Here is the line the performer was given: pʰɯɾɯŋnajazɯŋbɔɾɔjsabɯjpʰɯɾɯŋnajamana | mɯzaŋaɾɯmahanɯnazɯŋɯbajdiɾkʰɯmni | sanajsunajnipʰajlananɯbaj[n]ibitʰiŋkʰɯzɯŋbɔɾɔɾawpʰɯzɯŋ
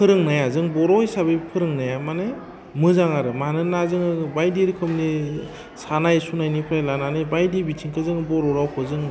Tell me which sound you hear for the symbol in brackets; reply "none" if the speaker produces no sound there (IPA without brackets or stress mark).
d